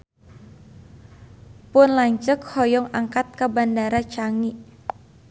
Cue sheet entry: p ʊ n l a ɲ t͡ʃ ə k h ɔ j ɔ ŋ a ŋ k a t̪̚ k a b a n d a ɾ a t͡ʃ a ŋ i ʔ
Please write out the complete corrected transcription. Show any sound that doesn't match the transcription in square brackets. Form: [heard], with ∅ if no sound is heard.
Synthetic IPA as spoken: p ʊ n l a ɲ t͡ʃ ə k h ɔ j ɔ ŋ a ŋ k a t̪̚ k a b a n d a ɾ a t͡ʃ a ŋ i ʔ